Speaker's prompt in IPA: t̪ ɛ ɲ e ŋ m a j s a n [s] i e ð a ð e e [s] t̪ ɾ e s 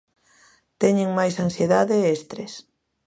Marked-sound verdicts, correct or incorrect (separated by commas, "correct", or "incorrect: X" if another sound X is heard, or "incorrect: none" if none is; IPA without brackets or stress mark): correct, correct